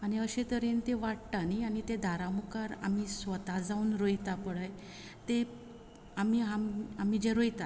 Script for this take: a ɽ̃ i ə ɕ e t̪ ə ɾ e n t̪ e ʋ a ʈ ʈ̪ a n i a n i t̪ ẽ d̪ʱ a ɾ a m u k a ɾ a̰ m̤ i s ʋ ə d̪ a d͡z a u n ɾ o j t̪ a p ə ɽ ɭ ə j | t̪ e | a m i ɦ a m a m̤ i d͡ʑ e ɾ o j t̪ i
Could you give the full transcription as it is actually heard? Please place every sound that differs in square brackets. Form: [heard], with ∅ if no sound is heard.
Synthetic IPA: a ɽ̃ i ə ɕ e t̪ ə ɾ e n t̪ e ʋ a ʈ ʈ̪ a n i a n i t̪ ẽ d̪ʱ a ɾ a m u k a ɾ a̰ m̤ i s ʋ ə [t̪] a d͡z a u n ɾ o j t̪ a p ə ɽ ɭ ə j | t̪ e | a m i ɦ a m a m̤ i d͡ʑ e ɾ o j t̪ [a]

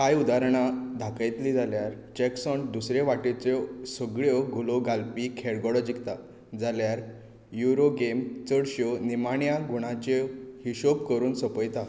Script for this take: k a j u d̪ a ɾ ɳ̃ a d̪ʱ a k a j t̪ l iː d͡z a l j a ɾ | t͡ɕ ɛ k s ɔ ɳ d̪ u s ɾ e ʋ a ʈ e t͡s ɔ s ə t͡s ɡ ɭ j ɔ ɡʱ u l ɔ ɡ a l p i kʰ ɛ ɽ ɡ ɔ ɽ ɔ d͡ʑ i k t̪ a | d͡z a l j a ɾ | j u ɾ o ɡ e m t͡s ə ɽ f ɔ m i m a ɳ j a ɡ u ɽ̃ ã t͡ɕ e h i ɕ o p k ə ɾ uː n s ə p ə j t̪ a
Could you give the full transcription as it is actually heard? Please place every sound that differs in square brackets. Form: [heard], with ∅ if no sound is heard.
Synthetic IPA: k a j u d̪ a ɾ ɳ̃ a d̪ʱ a k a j t̪ l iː d͡z a l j a ɾ | t͡ɕ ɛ k s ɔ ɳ d̪ u s ɾ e ʋ a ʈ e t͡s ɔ s ə [∅] ɡ ɭ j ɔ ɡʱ u l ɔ ɡ a l p i kʰ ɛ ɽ ɡ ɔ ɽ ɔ d͡ʑ i k t̪ a | d͡z a l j a ɾ | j u ɾ o ɡ e m t͡s ə ɽ [ɕ] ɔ [n] i m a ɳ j a ɡ u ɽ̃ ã t͡ɕ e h i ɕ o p k ə ɾ uː n s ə p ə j t̪ a

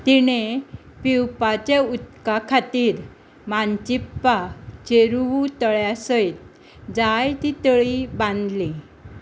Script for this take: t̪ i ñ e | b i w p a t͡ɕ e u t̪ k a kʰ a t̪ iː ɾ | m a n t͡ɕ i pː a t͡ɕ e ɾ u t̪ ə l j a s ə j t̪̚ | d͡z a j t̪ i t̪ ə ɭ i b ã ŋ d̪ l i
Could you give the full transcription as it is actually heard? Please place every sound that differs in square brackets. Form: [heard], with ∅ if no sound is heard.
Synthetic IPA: t̪ i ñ e | [p] i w p a t͡ɕ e u t̪ k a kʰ a t̪ iː ɾ | m a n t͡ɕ i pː a t͡ɕ e ɾ u t̪ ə [ɭ] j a s ə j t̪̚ | d͡z a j t̪ i t̪ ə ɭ i b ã [n] d̪ l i

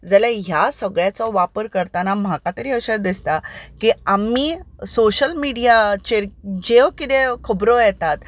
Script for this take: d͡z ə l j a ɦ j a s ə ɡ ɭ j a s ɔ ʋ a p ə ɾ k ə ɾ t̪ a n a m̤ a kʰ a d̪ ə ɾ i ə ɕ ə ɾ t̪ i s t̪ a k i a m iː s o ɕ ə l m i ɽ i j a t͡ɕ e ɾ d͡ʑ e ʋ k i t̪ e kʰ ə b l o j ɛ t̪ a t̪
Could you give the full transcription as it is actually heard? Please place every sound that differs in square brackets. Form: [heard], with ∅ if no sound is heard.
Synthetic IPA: d͡z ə l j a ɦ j a s ə ɡ ɭ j a [t͡s] ɔ ʋ a p ə ɾ k ə ɾ t̪ a n a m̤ a [k] a [t̪] ə ɾ i ə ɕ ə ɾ [d̪] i s t̪ a k i a m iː s o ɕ ə l m i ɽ i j a t͡ɕ e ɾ d͡ʑ e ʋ k i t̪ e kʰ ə b [ɾ] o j ɛ t̪ a t̪

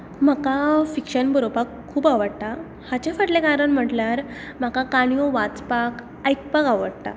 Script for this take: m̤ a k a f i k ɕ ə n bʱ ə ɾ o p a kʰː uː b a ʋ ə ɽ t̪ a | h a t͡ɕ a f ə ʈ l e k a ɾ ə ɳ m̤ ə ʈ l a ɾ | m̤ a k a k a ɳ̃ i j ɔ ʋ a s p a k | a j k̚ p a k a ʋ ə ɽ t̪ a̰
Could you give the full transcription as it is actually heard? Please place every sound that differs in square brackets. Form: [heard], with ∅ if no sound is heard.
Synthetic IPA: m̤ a k a f i k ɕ ə n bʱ ə ɾ o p a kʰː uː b a ʋ ə ɽ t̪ a | h a t͡ɕ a f ə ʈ l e k a ɾ ə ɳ m̤ ə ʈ l a ɾ | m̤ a k a k a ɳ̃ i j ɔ ʋ a [t͡s] p a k | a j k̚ p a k a ʋ ə ɽ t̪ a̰

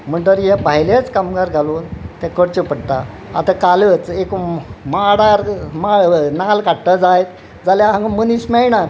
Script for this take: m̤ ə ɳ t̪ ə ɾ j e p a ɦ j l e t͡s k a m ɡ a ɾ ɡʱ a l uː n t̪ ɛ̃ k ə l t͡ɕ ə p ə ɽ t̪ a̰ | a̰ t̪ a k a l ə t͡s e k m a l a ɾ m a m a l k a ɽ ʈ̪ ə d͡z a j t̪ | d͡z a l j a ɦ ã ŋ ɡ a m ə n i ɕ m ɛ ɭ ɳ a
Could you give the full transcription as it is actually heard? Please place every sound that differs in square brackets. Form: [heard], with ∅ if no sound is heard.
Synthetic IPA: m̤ ə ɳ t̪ ə ɾ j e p a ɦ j l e t͡s k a m ɡ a ɾ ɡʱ a l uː n t̪ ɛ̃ k ə [ɽ] t͡ɕ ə p ə ɽ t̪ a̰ | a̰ t̪ a k a l ə t͡s e k m a [ɽ] a ɾ m a [n] a l k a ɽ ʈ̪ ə d͡z a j t̪ | d͡z a l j a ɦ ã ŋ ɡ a m ə n i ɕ m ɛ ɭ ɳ a

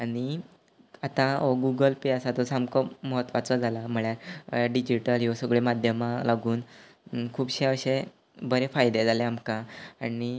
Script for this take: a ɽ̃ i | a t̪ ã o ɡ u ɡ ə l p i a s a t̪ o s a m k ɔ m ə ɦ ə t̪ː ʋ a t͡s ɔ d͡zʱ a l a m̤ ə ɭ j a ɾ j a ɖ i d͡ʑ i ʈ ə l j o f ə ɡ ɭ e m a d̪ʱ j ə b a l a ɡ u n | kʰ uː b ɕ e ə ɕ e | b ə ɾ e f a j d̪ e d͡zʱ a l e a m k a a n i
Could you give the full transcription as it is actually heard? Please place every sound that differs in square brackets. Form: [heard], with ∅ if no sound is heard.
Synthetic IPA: a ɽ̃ i | a t̪ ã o ɡ u ɡ ə l p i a s a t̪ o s a m k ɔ m ə ɦ ə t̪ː ʋ a t͡s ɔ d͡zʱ a l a m̤ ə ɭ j a ɾ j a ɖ i d͡ʑ i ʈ ə l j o [s] ə ɡ ɭ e m a d̪ʱ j ə [m] a l a ɡ [uː] n | kʰ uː b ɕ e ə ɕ e | b ə ɾ e f a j d̪ e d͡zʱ a l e a m k a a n i

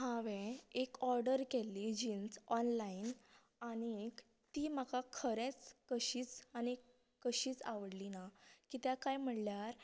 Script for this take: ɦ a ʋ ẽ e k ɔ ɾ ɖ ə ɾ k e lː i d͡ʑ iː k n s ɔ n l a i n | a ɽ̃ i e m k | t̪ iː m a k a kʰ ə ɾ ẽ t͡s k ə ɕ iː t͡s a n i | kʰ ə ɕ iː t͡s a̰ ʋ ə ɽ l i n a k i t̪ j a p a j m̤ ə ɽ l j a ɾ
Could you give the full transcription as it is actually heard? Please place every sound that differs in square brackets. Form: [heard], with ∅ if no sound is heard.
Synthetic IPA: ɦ a ʋ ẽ e k ɔ ɾ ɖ ə ɾ k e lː i d͡ʑ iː [∅] n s ɔ n l a i n | a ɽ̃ i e [∅] k | t̪ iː m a k a kʰ ə ɾ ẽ t͡s k ə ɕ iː t͡s a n i | [k] ə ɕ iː t͡s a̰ ʋ ə ɽ l i n a k i t̪ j a [k] a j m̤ ə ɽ l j a ɾ

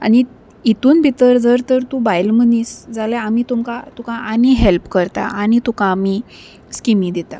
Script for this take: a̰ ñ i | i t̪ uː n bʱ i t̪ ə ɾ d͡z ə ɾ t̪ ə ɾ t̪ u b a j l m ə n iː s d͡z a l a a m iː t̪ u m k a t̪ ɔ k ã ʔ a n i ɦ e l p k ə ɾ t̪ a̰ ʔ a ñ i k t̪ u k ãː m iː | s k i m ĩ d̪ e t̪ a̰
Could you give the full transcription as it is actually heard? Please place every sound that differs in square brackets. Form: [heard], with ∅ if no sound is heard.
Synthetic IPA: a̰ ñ i | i t̪ uː n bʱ i t̪ ə ɾ d͡z ə ɾ t̪ ə ɾ t̪ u b a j l m ə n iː s d͡z a l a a m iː t̪ u m k a t̪ [u] k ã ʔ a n i ɦ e l p k ə ɾ t̪ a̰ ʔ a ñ i [∅] t̪ u k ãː m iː | s k i m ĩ d̪ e t̪ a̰

